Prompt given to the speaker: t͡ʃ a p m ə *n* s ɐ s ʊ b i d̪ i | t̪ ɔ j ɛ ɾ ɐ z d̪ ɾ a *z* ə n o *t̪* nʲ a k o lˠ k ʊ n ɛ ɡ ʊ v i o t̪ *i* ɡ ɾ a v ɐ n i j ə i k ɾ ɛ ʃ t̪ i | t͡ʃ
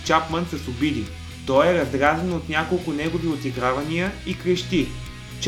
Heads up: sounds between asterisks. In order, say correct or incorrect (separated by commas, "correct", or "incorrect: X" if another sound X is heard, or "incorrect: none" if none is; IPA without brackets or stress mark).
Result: correct, correct, correct, correct